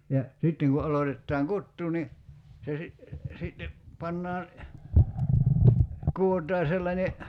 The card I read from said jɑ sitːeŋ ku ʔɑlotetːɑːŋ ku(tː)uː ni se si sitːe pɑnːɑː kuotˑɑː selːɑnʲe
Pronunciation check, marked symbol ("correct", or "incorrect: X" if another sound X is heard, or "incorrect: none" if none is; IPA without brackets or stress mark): correct